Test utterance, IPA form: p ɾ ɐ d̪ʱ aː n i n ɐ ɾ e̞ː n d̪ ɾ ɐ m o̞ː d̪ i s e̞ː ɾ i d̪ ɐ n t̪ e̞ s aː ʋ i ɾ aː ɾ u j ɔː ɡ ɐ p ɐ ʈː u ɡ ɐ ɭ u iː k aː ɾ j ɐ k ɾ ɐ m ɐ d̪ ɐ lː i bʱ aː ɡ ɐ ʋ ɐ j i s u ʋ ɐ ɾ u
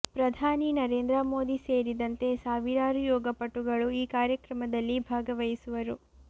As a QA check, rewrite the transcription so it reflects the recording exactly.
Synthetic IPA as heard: p ɾ ɐ d̪ʱ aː n i n ɐ ɾ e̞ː n d̪ ɾ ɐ m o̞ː d̪ i s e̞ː ɾ i d̪ ɐ n t̪ e̞ s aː ʋ i ɾ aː ɾ u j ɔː ɡ ɐ p ɐ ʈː u ɡ ɐ ɭ u iː k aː ɾ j ɐ k ɾ ɐ m ɐ d̪ ɐ lː i bʱ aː ɡ ɐ ʋ ɐ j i s u ʋ ɐ ɾ u